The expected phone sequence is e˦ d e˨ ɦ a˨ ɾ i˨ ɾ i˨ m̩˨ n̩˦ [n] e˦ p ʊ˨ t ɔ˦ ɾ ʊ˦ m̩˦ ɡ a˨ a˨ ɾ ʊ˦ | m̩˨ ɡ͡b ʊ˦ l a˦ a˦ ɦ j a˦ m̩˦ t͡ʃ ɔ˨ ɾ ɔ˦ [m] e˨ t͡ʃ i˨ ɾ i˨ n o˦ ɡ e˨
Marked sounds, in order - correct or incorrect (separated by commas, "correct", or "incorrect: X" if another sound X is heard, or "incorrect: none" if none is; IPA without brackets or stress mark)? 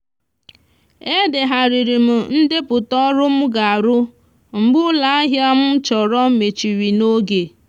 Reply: incorrect: d, correct